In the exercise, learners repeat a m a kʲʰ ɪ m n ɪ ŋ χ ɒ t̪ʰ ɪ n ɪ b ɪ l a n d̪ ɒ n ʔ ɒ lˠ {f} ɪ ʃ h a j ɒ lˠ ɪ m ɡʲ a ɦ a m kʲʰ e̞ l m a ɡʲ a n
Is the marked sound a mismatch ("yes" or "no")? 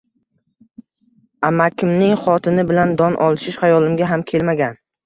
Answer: yes